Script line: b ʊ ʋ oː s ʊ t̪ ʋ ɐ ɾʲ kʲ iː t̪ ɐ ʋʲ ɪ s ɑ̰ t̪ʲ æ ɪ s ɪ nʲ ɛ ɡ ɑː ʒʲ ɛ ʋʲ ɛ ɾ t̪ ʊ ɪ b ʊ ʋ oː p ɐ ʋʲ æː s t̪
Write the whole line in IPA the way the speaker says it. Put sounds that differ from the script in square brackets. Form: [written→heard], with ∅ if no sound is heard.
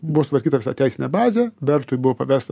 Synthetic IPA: b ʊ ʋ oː s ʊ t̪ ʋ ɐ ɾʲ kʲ iː t̪ ɐ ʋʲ ɪ s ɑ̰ t̪ʲ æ ɪ s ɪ nʲ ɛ [ɡ→b] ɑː [ʒʲ→zʲ] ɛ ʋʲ ɛ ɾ t̪ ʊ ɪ b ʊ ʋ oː p ɐ ʋʲ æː s t̪